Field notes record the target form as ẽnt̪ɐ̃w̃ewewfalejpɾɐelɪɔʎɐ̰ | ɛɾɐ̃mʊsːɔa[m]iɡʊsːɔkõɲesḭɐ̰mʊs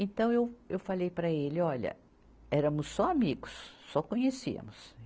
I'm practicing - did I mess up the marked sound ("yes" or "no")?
no